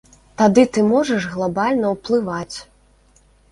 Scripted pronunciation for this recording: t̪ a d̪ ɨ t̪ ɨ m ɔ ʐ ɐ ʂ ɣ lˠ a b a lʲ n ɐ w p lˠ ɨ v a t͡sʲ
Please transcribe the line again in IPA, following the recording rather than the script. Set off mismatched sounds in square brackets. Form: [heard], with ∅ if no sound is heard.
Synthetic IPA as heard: t̪ a d̪ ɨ t̪ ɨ m ɔ ʐ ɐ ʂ ɣ lˠ a b a lʲ n ɐ w p lˠ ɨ v a t͡sʲ